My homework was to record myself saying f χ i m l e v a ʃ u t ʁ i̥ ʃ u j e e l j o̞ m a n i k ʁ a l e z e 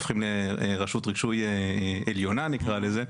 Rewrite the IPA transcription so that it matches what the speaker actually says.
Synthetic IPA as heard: f χ i m l e ʁ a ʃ u t ʁ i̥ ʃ u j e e l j o̞ n a n i k ʁ a l e z e